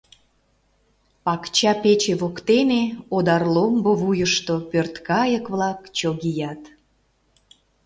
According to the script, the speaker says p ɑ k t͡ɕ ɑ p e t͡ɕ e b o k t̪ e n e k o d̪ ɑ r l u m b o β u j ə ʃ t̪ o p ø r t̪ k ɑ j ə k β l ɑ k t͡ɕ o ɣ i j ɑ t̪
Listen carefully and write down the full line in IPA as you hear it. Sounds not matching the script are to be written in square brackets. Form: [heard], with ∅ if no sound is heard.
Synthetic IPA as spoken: p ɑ k t͡ɕ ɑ p e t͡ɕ e [β] o k t̪ e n e [∅] o d̪ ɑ r l [o] m b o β u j ə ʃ t̪ o p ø r t̪ k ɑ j ə k β l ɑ k t͡ɕ o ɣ i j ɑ t̪